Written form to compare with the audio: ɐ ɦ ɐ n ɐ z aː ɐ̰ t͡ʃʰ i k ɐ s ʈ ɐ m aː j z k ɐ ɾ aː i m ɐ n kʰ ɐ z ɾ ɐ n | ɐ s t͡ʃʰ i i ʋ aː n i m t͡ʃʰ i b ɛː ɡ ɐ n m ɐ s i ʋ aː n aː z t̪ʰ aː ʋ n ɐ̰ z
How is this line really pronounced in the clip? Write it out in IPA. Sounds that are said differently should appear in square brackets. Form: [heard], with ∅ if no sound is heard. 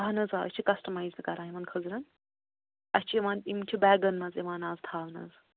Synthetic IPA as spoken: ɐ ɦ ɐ n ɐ z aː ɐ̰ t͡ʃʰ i k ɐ s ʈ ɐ m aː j z k ɐ ɾ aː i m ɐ n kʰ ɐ z ɾ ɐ n | ɐ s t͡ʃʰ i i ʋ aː n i m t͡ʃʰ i b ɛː ɡ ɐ n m ɐ [z] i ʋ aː n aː z t̪ʰ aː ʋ n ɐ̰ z